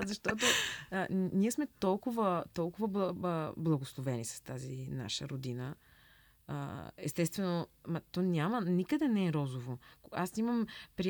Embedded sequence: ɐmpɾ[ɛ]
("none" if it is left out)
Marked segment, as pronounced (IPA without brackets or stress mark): i